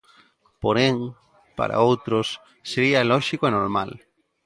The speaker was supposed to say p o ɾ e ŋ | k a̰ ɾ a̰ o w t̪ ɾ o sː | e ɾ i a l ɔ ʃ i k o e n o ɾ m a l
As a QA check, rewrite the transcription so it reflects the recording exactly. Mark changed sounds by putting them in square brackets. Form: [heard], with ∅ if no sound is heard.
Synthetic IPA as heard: p o ɾ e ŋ | [p] a̰ ɾ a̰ o w t̪ ɾ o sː | e ɾ i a l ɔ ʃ i k o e n o ɾ m a l